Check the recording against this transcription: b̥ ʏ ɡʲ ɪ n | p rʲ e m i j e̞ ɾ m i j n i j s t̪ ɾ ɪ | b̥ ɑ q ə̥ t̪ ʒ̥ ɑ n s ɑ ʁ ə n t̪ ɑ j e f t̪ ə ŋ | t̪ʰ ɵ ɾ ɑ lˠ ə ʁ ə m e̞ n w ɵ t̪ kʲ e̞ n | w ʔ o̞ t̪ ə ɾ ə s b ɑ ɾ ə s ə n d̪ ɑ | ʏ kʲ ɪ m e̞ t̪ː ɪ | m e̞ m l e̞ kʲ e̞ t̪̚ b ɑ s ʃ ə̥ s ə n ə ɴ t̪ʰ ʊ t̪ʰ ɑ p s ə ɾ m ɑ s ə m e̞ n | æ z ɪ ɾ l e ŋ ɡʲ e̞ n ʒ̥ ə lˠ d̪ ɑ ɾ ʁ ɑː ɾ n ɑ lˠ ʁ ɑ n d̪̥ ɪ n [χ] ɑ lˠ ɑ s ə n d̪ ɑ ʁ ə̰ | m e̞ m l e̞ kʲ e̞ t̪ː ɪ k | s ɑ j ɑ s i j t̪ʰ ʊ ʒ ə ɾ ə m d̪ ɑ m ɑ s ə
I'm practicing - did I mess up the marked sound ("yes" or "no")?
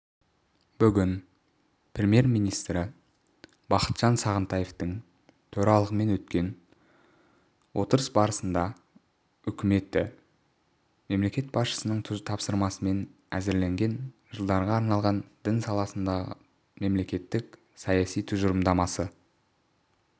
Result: yes